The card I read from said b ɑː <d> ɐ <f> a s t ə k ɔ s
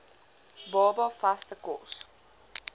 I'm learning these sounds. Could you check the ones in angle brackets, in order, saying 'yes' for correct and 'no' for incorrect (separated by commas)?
no, yes